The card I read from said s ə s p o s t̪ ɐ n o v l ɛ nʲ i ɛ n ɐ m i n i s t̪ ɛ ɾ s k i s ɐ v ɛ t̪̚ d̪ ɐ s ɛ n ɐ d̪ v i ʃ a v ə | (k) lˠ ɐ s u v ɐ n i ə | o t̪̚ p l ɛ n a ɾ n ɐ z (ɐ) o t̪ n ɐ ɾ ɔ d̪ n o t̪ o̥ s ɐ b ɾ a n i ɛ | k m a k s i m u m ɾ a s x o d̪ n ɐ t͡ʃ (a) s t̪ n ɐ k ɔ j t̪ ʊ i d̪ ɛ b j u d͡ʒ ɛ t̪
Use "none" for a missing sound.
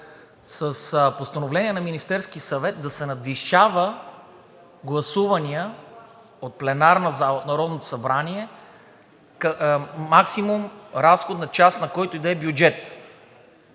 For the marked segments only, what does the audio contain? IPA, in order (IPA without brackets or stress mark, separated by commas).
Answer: ɡ, a, a